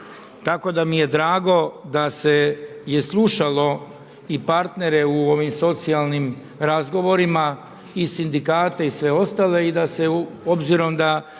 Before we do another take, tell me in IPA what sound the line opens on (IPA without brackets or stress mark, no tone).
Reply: t̪